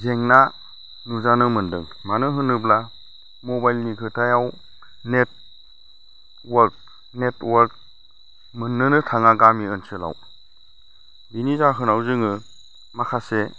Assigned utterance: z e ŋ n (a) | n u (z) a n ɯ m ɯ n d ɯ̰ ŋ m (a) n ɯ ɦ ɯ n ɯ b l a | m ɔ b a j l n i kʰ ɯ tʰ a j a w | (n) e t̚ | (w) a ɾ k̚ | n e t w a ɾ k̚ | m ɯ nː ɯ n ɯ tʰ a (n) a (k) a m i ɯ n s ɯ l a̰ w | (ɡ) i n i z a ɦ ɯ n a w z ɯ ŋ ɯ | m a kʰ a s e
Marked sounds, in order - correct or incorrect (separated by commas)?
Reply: correct, correct, correct, correct, correct, incorrect, incorrect, incorrect